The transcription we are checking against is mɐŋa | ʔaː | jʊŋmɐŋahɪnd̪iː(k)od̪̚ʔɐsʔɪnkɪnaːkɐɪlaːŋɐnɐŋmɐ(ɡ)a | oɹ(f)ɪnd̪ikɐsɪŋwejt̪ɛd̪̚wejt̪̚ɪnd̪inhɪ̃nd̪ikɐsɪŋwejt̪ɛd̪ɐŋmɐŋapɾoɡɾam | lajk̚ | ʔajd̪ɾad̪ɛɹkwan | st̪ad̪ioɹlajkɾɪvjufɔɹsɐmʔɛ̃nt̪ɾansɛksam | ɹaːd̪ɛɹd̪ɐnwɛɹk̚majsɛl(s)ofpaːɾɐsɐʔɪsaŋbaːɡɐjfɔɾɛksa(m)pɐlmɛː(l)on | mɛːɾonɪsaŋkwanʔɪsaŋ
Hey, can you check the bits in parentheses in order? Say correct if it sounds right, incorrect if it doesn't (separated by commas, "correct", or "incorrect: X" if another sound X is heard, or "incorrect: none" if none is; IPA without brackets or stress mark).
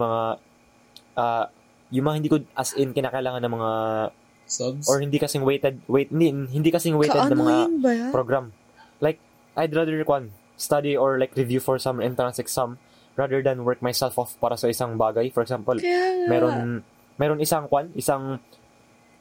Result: correct, incorrect: ŋ, incorrect: h, incorrect: f, correct, incorrect: ɾ